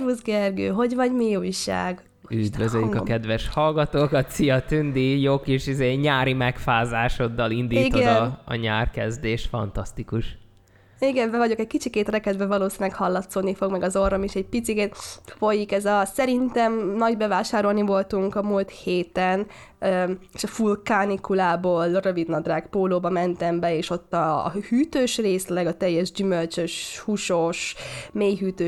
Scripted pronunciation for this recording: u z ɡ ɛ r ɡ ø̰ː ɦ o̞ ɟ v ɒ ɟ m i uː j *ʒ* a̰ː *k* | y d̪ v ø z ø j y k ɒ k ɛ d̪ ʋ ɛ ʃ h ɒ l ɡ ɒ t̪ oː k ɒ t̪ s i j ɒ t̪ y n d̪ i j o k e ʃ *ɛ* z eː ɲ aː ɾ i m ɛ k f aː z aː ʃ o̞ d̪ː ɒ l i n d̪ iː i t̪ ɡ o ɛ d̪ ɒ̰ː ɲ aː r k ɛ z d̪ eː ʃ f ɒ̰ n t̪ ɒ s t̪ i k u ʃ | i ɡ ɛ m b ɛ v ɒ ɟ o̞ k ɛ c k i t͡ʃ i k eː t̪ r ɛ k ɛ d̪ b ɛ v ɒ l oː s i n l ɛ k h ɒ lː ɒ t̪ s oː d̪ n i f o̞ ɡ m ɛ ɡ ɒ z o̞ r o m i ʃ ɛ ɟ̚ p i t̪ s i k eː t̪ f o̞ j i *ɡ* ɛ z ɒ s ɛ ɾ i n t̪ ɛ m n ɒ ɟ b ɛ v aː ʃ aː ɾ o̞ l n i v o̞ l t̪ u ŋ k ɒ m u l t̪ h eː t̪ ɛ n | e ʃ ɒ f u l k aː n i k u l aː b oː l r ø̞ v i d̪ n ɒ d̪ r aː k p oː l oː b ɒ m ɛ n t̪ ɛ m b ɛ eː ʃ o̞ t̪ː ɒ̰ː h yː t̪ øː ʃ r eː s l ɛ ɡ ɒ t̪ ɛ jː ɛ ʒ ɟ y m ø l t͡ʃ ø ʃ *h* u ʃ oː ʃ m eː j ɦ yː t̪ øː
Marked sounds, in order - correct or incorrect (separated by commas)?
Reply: incorrect, incorrect, incorrect, incorrect, correct